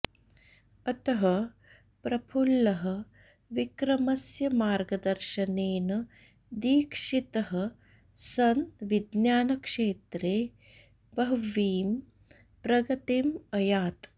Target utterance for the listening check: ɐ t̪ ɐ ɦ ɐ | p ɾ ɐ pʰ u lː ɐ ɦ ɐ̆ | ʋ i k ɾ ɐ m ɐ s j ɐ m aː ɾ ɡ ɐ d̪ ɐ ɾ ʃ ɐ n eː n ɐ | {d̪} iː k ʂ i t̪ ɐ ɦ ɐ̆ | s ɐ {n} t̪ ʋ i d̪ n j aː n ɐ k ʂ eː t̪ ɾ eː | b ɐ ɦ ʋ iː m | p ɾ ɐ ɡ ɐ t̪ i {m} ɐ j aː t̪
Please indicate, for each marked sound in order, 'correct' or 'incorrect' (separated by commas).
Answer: correct, correct, correct